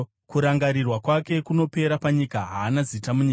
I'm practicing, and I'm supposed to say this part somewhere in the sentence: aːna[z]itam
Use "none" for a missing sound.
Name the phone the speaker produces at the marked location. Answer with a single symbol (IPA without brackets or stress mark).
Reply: z